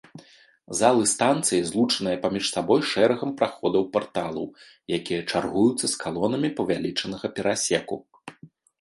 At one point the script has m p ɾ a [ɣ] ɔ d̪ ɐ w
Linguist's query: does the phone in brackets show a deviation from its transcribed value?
yes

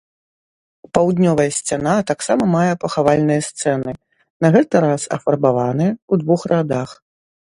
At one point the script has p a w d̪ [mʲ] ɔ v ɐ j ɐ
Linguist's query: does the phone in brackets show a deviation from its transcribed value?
yes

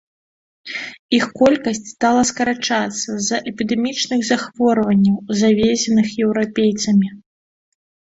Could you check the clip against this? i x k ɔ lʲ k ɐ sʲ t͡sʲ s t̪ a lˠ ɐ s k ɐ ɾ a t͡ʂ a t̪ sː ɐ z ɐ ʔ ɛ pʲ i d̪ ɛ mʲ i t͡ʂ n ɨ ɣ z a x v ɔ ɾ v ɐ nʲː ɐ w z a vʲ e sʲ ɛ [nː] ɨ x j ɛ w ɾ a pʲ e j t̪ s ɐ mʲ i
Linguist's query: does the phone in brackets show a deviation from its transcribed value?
yes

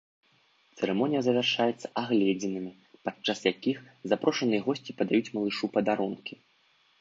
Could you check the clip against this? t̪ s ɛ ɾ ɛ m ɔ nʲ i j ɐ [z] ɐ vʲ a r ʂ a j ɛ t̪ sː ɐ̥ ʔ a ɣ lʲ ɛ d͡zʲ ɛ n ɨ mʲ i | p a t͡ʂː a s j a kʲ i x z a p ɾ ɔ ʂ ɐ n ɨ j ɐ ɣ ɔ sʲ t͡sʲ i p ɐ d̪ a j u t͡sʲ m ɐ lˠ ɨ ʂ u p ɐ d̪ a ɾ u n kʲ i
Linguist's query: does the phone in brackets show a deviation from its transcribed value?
no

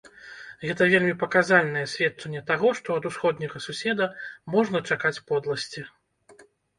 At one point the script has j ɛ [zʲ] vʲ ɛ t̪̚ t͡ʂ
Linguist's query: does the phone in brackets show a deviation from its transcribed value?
yes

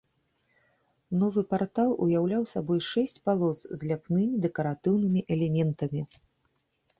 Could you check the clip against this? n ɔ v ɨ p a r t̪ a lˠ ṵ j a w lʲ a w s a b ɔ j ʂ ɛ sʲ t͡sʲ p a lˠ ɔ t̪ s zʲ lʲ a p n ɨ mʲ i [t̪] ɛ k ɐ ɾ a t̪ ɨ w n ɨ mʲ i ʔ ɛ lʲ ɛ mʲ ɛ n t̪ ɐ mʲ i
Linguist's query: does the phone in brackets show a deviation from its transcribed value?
yes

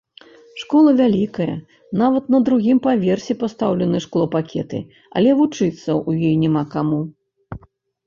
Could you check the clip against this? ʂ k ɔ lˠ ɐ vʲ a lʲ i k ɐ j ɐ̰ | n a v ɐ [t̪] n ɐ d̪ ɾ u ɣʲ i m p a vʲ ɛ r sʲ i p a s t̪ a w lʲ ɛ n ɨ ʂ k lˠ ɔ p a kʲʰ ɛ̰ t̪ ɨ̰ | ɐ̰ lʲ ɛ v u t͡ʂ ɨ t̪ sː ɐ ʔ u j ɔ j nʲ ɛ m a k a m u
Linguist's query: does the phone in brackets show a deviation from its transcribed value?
no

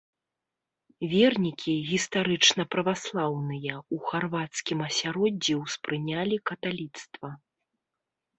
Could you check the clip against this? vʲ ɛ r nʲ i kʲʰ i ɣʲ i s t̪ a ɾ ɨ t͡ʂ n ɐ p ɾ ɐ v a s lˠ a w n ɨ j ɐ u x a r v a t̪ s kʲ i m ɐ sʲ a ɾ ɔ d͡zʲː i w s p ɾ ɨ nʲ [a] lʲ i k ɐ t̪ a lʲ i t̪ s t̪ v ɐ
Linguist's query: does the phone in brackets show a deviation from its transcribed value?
no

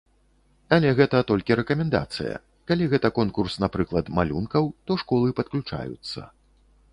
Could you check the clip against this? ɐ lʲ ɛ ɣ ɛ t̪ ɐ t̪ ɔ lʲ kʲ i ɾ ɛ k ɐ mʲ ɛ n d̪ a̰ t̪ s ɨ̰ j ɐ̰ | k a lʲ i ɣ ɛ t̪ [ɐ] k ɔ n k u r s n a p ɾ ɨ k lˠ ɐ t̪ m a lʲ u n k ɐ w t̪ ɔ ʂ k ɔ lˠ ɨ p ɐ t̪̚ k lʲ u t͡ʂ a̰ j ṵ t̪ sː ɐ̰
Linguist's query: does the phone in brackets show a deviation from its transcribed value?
no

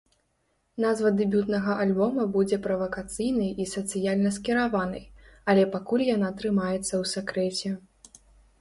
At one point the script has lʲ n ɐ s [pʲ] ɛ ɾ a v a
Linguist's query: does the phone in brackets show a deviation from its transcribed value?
yes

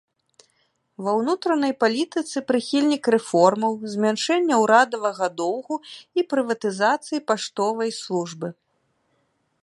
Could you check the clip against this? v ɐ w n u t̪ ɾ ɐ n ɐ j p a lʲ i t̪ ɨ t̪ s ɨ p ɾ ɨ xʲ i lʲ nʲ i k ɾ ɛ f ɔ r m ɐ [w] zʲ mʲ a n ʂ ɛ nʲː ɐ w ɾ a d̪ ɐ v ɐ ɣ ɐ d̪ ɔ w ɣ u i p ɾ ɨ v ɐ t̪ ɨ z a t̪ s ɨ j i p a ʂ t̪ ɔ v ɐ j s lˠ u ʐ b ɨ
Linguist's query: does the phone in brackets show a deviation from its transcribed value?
no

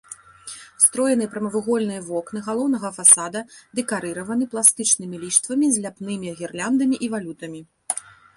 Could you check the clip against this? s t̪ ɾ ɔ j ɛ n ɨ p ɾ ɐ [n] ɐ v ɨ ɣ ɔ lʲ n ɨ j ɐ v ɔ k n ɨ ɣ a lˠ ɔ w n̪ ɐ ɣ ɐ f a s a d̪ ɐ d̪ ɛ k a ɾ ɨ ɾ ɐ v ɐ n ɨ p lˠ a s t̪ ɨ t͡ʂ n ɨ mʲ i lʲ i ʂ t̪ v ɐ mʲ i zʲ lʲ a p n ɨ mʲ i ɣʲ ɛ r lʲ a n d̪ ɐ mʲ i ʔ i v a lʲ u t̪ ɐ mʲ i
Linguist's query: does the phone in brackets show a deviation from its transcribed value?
yes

